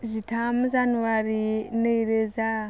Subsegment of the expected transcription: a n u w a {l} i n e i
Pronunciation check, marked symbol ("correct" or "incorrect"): incorrect